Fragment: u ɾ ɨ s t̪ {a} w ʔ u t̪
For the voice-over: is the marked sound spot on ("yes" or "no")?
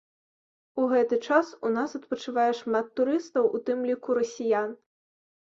no